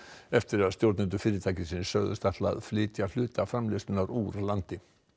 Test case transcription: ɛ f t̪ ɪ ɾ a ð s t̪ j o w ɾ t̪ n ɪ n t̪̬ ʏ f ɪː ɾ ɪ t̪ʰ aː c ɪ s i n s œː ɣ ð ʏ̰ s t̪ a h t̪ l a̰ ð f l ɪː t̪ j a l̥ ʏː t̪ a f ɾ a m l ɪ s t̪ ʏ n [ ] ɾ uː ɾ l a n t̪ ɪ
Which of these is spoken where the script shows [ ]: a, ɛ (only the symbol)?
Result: a